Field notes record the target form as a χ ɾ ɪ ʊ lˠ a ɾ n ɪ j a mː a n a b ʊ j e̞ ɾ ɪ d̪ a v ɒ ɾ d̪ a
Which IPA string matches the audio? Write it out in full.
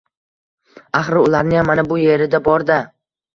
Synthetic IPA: a χ ɾ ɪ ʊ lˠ a ɾ n ɪ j a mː a n a b ʊ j e̞ ɾ ɪ d̪ a b ɒ ɾ d̪ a

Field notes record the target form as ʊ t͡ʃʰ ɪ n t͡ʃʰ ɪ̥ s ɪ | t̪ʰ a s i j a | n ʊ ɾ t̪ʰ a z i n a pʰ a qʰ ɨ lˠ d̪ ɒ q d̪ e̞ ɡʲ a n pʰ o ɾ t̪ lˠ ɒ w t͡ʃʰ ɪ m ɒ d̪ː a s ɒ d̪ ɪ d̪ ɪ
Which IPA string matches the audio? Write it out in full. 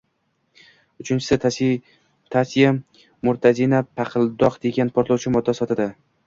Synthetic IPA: ʊ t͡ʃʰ ɪ n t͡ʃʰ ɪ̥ s ɪ | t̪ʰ a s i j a | m ʊ ɾ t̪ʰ a z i n a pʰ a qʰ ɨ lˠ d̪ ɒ q d̪ e̞ ɡʲ a n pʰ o ɾ t̪ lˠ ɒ w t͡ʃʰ ɪ m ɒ d̪ː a s ɒ t̪ ɪ d̪ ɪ

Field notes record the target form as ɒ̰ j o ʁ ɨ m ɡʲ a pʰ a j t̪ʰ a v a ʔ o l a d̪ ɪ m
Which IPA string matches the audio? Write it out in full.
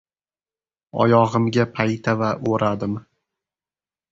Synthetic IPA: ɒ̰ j ɒ ʁ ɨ m ɡʲ a pʰ a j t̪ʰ a v a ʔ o ɾ a d̪ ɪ m

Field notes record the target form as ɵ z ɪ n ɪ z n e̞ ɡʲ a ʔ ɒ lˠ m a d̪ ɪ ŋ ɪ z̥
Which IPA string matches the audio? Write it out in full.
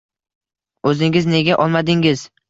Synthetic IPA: ɵ z ɪ ŋ ɪ z n e̞ ɡʲ a ʔ ɒ lˠ m a d̪ ɪ ŋ ɪ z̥

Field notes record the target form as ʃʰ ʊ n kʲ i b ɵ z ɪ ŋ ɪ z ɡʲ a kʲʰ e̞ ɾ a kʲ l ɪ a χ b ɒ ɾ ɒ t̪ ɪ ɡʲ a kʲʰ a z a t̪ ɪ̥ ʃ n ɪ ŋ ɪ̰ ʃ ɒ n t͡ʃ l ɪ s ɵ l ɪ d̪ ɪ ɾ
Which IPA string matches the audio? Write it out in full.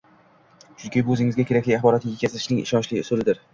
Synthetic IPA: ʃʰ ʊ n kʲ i b ɵ z ɪ ŋ ɪ z ɡʲ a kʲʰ e̞ ɾ a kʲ l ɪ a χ b ɒ ɾ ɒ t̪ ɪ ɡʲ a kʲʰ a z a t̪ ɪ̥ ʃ n ɪ ŋ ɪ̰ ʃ ɒ n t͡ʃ l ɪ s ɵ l ɪ d̪ ɪ ɾ

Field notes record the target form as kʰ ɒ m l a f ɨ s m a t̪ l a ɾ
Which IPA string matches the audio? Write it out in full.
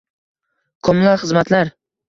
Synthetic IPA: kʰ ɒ m l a χ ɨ z m a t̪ l a ɾ

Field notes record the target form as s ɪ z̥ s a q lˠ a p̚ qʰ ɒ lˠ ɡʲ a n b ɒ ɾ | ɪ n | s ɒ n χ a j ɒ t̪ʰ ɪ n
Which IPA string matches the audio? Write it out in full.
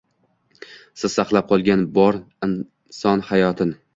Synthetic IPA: s ɪ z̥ s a q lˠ a p̚ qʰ ɒ lˠ ɡʲ a n b ɒ ɾ | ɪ n | s ɒ n h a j ɒ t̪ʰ ɪ n

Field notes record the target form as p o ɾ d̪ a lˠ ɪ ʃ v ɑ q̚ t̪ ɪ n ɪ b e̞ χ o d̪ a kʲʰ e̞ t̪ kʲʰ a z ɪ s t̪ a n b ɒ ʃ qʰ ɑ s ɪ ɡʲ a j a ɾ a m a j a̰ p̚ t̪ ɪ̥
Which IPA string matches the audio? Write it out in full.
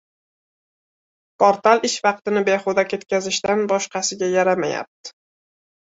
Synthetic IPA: p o ɾ t̪ a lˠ ɪ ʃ v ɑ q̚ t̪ ɪ n ɪ b e̞ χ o d̪ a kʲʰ e̞ t̪ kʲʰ a z ɪ ʃ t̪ a n b ɒ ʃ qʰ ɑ s ɪ ɡʲ a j a ɾ a m a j a̰ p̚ t̪ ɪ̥

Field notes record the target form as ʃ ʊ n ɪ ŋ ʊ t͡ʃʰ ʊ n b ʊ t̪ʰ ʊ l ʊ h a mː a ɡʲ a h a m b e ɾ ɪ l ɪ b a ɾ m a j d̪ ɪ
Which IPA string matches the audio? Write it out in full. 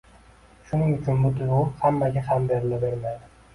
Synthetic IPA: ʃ ʊ n ɪ ŋ ʊ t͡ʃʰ ʊ n b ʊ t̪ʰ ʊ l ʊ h a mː a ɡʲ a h a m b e ɾ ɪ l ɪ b e ɾ m a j d̪ ɪ

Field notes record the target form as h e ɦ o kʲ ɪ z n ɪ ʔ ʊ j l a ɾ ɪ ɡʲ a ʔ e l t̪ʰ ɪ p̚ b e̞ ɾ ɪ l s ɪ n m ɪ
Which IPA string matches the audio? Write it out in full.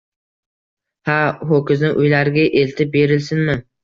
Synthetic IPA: h a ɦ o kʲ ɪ z n ɪ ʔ ʊ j l a ɾ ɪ ɡʲ a ʔ e l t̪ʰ ɪ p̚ b e̞ ɾ ɪ l s ɪ n m ɪ

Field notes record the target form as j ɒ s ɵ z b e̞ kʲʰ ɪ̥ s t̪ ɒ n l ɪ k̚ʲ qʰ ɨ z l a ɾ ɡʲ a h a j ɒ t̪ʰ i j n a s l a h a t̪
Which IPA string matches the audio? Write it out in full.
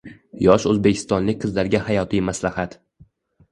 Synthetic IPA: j ɒ ʃ ɵ z b e̞ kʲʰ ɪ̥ s t̪ ɒ n l ɪ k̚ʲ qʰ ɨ z l a ɾ ɡʲ a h a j ɒ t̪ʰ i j m a s l a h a t̪

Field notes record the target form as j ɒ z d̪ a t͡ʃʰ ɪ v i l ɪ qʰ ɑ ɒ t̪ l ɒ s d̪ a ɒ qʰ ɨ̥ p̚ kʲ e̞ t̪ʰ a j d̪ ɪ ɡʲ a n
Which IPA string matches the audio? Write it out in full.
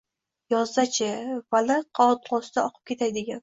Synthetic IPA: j ɒ z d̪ a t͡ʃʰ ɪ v a l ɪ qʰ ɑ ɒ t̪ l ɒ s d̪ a ɒ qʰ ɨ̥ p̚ kʲ e̞ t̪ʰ a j d̪ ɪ ɡʲ a n

